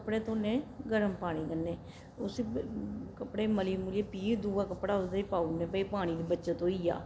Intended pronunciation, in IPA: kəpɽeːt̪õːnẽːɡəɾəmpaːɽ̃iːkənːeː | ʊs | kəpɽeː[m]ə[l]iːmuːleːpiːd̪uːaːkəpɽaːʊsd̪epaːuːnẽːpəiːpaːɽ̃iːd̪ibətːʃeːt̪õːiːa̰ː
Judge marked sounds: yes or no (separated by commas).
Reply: yes, yes